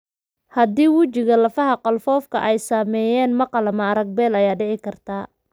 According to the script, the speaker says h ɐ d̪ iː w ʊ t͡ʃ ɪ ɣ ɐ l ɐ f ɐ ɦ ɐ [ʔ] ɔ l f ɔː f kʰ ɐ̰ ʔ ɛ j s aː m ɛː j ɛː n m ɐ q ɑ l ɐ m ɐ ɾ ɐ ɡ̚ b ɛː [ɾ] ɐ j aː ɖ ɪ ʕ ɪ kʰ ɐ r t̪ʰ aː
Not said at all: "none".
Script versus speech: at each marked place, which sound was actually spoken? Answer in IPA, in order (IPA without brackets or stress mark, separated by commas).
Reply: q, l